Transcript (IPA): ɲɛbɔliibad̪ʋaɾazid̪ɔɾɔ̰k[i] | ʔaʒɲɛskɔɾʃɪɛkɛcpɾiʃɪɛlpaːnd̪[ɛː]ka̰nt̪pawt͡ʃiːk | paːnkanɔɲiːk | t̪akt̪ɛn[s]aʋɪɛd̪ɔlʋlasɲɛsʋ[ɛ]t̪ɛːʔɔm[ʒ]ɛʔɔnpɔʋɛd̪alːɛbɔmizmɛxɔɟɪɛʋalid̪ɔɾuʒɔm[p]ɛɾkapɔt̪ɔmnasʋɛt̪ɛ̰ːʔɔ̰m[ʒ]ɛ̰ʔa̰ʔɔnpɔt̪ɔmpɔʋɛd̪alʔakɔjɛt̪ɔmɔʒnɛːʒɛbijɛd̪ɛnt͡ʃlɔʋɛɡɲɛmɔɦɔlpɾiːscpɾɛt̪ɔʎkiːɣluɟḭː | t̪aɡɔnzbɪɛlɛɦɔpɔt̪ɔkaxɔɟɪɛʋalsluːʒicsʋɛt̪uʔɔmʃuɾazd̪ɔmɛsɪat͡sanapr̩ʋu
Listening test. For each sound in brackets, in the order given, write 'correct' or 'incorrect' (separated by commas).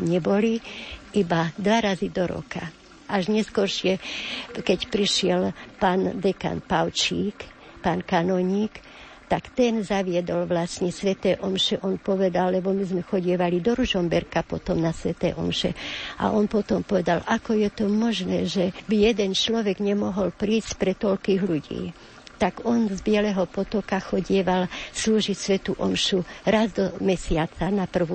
incorrect, incorrect, incorrect, correct, incorrect, incorrect, incorrect